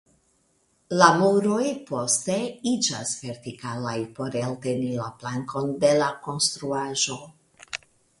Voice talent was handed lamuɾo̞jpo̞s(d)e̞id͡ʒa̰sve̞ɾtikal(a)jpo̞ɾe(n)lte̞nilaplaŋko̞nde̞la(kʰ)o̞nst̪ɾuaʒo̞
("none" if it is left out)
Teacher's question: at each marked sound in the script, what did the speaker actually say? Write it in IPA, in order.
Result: t, a, none, k

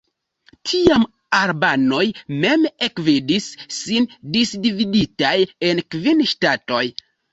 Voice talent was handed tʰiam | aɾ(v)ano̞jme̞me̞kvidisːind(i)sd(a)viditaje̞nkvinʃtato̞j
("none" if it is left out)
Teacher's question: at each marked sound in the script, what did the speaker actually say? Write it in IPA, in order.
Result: b, i, i

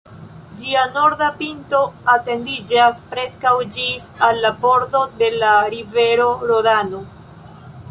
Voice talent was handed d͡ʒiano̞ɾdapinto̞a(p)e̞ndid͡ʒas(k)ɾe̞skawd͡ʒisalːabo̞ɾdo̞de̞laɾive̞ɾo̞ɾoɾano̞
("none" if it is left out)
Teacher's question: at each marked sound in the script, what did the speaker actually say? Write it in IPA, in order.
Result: t, p

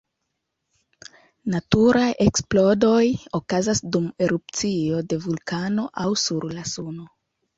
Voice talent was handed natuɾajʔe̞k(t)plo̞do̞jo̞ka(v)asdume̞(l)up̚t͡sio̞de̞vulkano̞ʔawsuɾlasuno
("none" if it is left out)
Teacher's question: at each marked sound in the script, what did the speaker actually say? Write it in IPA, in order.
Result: s, z, ɾ

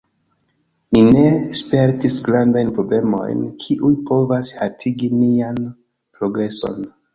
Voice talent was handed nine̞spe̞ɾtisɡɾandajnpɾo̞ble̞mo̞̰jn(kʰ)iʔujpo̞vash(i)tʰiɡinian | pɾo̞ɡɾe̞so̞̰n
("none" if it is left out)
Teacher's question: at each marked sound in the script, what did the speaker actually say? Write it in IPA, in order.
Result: kʰ, a

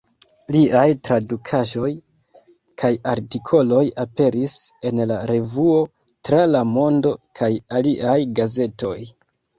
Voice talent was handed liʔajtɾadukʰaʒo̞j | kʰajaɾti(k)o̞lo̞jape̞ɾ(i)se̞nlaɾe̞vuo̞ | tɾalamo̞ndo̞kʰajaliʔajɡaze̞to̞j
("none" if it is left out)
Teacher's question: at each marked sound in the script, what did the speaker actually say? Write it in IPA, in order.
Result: kʰ, i

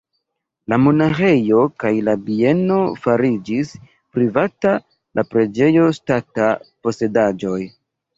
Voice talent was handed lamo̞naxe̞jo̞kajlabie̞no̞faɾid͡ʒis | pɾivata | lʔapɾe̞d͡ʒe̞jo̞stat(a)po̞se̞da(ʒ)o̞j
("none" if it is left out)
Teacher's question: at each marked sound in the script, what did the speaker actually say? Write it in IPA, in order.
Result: a, d͡ʒ

